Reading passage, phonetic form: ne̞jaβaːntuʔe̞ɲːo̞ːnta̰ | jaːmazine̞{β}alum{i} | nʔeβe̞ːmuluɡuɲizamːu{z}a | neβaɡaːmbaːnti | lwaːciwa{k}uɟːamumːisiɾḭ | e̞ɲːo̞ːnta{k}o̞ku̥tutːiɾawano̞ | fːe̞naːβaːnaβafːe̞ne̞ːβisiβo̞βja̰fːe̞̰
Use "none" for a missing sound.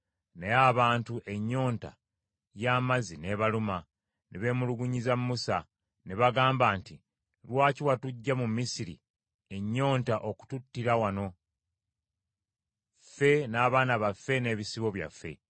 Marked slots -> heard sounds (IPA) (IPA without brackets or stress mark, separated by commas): β, a, s, t, ʔ